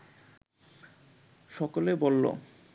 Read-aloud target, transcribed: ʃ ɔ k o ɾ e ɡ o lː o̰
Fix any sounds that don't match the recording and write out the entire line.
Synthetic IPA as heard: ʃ ɔ k o l e b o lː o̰